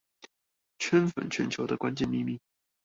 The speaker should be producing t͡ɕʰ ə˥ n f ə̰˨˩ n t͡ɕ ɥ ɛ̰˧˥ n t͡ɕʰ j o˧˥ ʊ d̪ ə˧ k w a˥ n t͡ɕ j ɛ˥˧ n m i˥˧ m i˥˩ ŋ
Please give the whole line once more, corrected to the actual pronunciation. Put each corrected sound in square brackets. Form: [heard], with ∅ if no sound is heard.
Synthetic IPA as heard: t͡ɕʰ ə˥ n f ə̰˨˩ n [t͡ɕʰ] ɥ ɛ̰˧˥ n t͡ɕʰ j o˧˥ ʊ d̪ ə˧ k w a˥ n t͡ɕ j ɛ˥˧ n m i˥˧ m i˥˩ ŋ